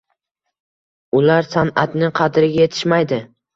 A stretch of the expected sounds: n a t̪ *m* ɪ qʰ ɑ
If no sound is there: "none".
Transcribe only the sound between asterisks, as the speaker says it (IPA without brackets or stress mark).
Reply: n